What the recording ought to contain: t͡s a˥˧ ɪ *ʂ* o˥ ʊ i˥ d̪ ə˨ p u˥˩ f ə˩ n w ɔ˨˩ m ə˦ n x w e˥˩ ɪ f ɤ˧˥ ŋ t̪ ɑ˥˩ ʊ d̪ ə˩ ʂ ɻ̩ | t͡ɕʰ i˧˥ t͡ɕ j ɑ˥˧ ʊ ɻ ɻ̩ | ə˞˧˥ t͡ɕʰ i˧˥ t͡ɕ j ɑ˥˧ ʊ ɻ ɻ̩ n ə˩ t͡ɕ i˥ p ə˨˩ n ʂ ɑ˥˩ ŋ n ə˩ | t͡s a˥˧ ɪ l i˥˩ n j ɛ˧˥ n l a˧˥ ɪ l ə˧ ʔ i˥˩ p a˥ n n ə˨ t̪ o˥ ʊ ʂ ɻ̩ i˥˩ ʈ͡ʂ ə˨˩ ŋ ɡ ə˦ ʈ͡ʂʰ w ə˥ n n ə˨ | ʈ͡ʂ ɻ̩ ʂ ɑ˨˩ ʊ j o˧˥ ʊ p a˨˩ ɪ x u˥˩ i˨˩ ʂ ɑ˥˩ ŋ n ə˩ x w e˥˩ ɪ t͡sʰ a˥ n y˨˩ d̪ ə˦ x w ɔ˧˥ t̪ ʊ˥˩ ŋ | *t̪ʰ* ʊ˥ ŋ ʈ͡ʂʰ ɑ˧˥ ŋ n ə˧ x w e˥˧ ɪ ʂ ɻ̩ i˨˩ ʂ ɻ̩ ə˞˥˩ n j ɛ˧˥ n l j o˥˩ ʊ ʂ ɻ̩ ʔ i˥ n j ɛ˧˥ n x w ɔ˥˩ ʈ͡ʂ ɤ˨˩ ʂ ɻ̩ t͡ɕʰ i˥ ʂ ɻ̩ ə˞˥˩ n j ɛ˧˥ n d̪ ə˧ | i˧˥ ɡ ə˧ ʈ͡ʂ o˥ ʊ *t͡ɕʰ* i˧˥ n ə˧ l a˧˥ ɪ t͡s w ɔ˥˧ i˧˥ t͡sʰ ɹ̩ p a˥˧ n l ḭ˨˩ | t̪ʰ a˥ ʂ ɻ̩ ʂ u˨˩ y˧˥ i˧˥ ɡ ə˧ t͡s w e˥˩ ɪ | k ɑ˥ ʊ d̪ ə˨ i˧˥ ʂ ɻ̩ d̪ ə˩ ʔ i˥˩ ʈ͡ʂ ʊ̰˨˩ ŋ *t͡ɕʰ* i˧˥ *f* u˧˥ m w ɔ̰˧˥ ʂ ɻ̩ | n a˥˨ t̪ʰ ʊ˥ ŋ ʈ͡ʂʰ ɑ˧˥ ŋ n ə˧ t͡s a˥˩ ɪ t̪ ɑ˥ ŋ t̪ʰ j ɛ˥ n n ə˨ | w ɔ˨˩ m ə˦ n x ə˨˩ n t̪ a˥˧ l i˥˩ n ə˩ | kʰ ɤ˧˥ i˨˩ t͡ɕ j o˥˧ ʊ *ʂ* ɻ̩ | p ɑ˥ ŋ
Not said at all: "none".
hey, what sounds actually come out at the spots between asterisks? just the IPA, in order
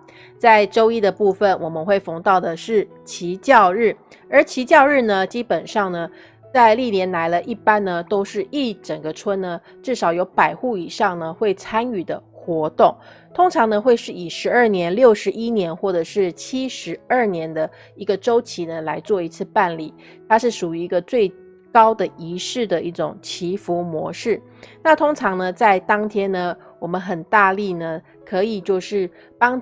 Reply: ʈ͡ʂ, t̪ʰ, t͡ɕʰ, t͡ɕʰ, f, ʂ

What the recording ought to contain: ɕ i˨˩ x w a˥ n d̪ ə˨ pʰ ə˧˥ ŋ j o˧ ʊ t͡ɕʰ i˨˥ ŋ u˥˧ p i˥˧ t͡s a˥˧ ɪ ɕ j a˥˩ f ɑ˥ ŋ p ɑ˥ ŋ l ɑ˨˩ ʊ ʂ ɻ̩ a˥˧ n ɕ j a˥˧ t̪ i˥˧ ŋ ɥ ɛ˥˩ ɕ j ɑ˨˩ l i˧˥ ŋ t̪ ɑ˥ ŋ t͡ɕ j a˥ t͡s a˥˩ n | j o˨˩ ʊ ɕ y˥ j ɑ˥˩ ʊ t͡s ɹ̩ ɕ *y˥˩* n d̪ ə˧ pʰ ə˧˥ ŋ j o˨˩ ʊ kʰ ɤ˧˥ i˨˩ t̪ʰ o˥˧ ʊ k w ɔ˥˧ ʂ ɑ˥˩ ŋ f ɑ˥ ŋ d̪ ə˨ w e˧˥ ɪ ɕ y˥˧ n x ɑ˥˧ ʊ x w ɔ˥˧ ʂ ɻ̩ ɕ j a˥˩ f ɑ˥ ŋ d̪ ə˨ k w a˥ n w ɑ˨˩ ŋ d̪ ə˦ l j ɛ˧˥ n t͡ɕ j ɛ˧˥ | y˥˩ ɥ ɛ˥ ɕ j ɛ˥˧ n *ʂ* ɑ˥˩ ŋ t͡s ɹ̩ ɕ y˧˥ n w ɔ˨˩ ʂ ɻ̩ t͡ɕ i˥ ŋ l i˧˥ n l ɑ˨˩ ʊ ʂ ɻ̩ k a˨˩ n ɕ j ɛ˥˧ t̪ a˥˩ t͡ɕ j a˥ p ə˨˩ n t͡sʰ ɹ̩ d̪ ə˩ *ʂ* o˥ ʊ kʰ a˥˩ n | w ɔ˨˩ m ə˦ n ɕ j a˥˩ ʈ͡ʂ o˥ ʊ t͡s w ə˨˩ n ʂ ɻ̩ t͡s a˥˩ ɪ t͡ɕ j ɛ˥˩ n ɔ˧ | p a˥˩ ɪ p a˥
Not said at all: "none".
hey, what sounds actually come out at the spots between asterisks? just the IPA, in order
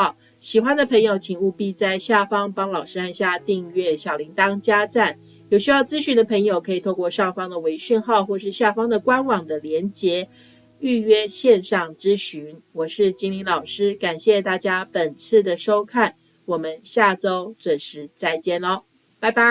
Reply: y˧˥, ʂ, ʂ

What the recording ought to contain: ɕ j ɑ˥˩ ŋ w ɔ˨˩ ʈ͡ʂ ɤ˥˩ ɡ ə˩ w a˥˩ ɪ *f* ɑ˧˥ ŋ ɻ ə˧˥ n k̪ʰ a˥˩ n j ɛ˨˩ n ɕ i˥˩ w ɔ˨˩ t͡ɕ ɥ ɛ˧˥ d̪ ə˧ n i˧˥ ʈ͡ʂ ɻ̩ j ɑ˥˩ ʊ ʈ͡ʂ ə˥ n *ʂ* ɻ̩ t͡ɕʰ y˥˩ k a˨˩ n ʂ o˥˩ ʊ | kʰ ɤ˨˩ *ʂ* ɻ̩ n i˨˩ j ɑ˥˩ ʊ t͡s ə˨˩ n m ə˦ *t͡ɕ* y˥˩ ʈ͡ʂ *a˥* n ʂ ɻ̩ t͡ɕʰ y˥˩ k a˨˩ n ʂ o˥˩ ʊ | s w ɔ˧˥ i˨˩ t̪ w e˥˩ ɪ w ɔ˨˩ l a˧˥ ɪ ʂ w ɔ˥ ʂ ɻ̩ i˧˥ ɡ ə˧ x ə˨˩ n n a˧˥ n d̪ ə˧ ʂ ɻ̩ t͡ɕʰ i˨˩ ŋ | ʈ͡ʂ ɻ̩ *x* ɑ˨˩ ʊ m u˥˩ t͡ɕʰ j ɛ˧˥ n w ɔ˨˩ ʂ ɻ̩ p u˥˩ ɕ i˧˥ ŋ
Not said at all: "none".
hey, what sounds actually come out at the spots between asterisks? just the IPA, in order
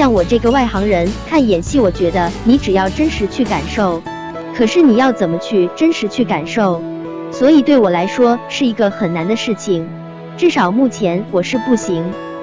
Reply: x, ʂ, ʂ, t͡ɕʰ, ə˥, ʂ

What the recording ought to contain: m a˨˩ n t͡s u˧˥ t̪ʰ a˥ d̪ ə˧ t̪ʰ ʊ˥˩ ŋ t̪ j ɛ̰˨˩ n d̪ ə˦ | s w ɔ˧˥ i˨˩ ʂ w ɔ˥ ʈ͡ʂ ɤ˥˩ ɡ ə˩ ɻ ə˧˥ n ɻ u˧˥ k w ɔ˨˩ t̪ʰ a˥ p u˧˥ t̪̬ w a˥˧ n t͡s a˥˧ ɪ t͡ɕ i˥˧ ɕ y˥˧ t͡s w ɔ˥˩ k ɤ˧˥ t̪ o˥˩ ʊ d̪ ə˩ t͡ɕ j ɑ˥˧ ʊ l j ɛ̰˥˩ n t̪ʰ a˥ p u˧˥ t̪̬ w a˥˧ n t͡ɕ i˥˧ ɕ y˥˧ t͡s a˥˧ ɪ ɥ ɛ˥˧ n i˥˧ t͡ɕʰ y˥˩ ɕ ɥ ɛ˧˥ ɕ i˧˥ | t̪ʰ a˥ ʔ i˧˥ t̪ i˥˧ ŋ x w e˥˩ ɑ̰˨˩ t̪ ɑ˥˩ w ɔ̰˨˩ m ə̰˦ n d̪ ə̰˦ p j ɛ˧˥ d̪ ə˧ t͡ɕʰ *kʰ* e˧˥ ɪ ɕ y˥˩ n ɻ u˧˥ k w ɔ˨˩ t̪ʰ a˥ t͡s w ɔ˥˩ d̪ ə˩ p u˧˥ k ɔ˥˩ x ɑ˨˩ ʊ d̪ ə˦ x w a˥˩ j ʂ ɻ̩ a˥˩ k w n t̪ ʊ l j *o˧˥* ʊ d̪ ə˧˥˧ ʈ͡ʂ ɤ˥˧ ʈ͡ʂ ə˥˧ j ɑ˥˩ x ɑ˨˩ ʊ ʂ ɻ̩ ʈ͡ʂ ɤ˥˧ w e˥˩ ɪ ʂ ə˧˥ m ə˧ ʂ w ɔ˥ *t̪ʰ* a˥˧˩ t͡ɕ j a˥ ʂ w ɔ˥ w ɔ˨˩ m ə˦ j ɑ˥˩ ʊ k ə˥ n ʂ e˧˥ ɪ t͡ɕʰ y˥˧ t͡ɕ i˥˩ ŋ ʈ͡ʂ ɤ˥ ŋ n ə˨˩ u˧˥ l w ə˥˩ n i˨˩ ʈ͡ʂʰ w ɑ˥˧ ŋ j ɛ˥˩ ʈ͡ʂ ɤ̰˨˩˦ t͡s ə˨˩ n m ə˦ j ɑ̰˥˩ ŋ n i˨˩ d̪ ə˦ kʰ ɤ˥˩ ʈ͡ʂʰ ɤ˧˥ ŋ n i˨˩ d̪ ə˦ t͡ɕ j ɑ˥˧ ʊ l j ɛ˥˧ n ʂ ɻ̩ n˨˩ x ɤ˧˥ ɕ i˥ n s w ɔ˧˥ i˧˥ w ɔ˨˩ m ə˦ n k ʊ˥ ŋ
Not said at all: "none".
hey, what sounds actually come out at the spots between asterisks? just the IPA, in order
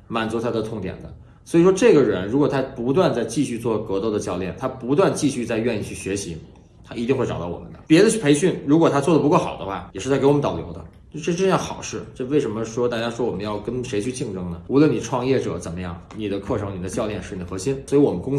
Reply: pʰ, o˧˥, t̪

